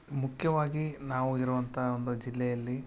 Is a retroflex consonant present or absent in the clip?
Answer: absent